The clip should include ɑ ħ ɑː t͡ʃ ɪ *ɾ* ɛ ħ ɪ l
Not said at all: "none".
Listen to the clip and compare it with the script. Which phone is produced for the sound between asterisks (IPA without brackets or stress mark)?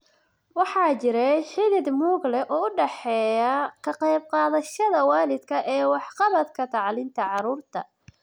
ɾ